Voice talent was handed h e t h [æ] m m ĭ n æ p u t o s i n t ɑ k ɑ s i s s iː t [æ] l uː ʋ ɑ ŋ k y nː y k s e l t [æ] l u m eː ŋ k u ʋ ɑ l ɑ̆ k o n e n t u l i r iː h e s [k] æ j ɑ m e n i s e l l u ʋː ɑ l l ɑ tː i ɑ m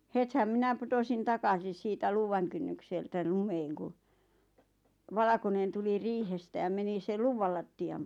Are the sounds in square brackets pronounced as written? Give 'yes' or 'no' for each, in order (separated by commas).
yes, yes, yes, no